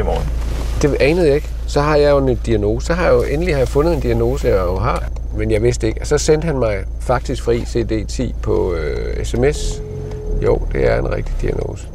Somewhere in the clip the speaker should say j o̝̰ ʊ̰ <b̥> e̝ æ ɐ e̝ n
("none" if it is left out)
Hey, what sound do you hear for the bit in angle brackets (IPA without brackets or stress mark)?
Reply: d̥